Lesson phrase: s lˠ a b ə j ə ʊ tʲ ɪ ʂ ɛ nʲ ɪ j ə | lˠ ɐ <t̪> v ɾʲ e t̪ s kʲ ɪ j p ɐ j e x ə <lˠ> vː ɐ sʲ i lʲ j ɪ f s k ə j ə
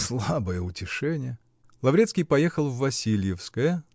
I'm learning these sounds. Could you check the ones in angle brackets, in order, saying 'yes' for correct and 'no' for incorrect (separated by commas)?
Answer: no, yes